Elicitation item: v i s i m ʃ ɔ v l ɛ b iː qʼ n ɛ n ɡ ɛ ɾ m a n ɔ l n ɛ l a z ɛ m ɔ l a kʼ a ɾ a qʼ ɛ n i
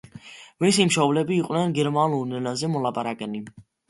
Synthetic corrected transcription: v i s i m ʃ ɔ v l ɛ b iː qʼ n ɛ n ɡ ɛ ɾ m a n u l n ɛ l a z ɛ m ɔ l a pʼ a ɾ a kʼ ɛ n i